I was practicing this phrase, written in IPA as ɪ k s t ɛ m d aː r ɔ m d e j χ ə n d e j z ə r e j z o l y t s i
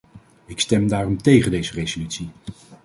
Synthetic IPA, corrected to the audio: ɪ k s t ɛ m d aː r ɔ m t e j χ ə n d e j z ə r e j z o l y t s i